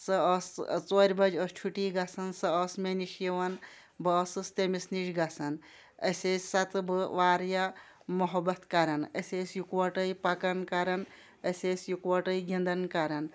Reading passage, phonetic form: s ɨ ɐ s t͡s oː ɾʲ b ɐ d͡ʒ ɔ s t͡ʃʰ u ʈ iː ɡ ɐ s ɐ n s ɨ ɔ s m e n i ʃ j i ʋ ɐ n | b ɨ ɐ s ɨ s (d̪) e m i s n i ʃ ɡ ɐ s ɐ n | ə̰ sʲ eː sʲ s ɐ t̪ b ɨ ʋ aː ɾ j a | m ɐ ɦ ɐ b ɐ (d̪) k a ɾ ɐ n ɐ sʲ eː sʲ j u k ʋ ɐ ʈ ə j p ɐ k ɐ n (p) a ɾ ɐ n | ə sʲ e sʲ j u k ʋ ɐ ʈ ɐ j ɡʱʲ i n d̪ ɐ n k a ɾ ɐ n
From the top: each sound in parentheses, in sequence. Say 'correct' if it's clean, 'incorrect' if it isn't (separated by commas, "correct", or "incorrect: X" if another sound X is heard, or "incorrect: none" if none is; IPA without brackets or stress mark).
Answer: incorrect: t̪, incorrect: t̪, incorrect: k